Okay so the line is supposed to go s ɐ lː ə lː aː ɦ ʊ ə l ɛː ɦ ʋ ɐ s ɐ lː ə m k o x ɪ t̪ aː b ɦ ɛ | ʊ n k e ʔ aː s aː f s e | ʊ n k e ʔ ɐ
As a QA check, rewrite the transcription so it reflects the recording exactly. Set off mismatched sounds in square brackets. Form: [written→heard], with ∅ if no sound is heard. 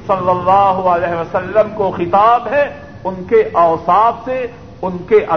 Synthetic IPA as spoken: s ɐ lː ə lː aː ɦ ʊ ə l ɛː ɦ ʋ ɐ s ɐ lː ə m k o x ɪ t̪ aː b ɦ ɛ | ʊ n k e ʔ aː s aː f s e | ʊ n k e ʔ ɐ